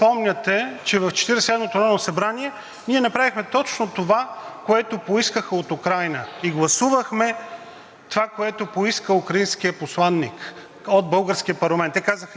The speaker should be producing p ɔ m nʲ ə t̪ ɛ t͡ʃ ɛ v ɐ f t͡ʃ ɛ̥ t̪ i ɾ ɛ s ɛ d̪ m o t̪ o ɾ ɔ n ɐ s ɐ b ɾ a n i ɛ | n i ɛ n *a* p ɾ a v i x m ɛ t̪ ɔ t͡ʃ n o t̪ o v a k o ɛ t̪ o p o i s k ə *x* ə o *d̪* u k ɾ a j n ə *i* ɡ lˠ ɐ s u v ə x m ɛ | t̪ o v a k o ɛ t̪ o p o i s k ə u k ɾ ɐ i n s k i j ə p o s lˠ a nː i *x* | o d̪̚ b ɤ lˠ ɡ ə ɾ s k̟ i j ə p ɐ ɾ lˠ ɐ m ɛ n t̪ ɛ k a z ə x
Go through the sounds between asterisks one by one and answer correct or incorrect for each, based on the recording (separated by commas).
incorrect, correct, incorrect, correct, incorrect